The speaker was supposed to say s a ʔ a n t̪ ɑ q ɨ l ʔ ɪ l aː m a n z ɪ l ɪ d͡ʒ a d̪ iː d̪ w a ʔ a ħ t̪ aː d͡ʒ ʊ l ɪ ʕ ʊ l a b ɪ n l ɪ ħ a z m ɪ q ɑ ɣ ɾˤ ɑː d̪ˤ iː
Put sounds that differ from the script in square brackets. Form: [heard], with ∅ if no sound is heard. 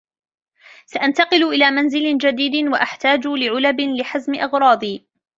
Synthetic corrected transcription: s a ʔ a n t̪ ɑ q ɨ l ʔ ɪ l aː m a n z ɪ l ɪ d͡ʒ a d̪ iː d̪ w a ʔ a ħ t̪ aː d͡ʒ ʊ l ɪ ʕ ʊ l a b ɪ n l ɪ ħ a z m ɪ [ʔ] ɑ ɣ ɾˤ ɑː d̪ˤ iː